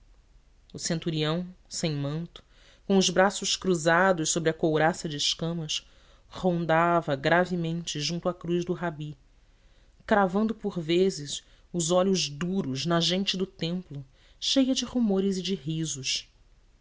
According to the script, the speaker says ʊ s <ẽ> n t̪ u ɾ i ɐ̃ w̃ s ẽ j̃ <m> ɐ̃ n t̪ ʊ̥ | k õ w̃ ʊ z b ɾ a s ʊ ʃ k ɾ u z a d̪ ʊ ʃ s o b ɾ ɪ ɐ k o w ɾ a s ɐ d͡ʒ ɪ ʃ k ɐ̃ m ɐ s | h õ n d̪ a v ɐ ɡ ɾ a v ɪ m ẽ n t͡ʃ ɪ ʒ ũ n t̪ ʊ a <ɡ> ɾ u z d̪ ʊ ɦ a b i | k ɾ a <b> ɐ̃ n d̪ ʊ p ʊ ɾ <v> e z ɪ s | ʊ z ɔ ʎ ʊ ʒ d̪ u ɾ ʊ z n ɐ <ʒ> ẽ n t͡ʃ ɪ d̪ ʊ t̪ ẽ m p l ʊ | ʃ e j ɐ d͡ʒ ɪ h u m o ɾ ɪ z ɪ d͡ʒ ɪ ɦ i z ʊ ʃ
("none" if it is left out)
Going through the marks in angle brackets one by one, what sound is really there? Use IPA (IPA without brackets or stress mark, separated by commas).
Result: ẽ, m, k, v, v, ʒ